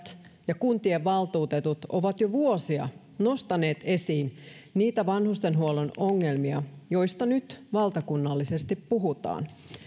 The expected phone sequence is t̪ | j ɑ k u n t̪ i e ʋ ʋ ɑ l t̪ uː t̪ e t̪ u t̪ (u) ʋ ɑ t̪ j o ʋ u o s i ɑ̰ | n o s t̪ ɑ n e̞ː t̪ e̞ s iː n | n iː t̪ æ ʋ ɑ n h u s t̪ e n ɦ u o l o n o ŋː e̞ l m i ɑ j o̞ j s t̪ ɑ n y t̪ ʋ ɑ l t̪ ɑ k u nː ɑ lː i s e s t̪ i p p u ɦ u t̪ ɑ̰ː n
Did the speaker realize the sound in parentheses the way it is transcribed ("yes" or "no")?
no